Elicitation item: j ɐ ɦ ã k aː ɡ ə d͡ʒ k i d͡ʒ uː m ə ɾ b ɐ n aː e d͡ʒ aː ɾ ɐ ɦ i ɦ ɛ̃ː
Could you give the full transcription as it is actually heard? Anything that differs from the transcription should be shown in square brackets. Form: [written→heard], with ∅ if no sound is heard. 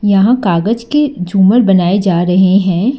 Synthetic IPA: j ɐ ɦ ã k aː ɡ ə d͡ʒ k [i→e] d͡ʒ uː m ə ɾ b ɐ n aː e d͡ʒ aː ɾ ɐ ɦ [i→e] ɦ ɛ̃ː